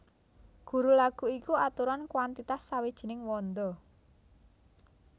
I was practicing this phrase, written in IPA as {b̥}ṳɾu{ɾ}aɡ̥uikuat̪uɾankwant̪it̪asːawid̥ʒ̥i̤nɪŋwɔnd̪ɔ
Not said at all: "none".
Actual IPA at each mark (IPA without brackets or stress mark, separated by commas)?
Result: ɡ̥, l